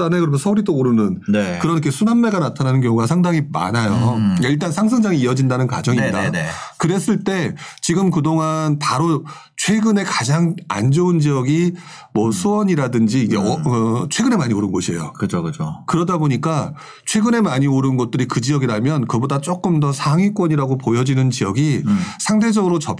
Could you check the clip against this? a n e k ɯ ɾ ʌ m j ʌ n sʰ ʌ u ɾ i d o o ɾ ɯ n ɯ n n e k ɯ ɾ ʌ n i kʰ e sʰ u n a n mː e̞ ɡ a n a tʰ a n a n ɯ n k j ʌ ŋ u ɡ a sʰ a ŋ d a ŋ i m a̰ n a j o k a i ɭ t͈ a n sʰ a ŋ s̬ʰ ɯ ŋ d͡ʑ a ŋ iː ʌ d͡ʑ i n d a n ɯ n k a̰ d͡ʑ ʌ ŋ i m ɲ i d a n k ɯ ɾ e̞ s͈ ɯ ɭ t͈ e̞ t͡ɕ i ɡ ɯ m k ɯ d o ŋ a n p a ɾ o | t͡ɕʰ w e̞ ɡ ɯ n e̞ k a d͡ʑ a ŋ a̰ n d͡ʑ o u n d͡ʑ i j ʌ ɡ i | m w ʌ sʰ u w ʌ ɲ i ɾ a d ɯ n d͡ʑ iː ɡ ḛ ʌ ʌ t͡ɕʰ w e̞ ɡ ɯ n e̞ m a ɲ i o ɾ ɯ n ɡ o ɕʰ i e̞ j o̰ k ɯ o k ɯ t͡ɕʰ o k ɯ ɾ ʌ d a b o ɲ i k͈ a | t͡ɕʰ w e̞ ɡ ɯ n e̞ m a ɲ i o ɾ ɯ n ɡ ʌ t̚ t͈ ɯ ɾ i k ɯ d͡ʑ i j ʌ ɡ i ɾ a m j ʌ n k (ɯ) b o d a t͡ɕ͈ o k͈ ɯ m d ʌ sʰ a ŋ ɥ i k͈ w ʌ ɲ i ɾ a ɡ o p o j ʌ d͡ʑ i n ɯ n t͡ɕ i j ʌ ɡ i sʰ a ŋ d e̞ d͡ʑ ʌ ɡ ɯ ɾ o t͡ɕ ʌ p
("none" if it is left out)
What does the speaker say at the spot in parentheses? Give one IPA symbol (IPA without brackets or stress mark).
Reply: ɯ